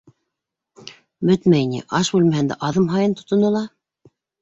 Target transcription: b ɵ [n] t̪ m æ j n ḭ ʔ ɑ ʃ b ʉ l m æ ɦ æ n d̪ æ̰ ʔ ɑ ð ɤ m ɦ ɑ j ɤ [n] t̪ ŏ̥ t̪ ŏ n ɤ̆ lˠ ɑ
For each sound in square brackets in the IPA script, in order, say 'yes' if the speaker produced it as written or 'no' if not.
no, yes

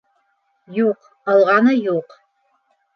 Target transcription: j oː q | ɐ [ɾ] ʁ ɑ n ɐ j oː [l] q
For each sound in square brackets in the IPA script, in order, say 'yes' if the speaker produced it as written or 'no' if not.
no, no

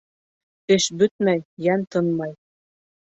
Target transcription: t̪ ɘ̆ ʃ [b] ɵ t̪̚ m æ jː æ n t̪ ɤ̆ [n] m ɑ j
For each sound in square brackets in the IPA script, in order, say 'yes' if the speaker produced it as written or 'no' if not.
yes, yes

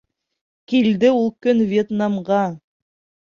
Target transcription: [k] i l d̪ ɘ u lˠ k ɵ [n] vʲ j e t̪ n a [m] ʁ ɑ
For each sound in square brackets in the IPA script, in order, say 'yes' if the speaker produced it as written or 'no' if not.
yes, yes, yes

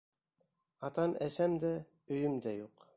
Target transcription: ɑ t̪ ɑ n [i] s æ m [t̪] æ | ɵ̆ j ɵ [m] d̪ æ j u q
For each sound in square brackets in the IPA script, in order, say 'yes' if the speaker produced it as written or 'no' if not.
no, no, yes

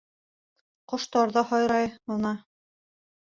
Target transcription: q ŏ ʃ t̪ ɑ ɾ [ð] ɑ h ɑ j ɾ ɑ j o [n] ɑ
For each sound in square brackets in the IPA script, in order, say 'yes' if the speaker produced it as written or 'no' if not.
yes, yes

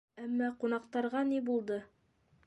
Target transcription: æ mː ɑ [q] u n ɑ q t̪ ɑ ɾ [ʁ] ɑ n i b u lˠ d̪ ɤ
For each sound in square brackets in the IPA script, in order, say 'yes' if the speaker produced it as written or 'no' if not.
yes, yes

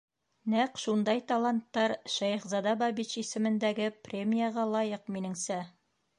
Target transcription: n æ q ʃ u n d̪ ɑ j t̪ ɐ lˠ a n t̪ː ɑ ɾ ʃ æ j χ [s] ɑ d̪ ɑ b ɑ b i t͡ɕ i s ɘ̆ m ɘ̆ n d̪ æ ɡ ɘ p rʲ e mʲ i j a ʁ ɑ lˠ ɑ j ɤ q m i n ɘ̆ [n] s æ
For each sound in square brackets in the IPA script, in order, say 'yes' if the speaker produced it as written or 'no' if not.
no, no

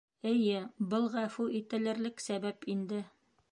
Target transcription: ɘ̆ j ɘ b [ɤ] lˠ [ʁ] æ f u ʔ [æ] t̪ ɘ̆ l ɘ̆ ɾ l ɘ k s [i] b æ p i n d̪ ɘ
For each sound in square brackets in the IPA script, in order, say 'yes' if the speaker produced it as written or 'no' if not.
yes, yes, no, no

